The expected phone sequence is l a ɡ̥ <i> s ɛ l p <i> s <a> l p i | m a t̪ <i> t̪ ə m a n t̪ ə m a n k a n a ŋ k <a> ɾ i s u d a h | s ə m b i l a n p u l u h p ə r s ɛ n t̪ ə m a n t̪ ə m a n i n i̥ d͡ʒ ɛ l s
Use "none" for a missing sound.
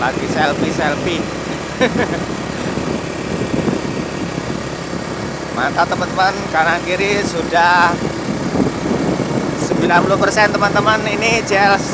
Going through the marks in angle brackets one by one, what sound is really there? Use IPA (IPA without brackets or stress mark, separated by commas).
i, i, ɛ, a, i